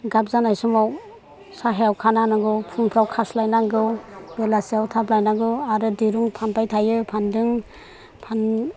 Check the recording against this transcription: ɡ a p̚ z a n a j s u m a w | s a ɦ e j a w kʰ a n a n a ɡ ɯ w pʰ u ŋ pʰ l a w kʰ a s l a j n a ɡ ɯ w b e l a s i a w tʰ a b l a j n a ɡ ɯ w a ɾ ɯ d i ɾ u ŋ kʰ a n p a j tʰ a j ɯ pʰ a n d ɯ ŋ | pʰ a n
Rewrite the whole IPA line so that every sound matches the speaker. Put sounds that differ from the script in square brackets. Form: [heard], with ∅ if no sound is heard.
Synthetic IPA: ɡ a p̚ z a n a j s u m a w | s a ɦ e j a w kʰ a n a n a ɡ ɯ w pʰ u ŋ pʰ [ɾ] a w kʰ a s l a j n a ɡ ɯ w b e l a s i a w tʰ a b l a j n a ɡ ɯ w a ɾ ɯ d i ɾ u ŋ [pʰ] a n p a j tʰ a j ɯ pʰ a n d ɯ ŋ | pʰ a n